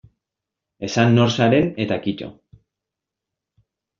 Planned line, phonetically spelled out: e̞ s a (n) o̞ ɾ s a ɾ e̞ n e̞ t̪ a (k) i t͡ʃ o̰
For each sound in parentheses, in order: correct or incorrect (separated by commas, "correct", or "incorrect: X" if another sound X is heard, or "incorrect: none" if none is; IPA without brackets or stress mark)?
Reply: incorrect: nː, correct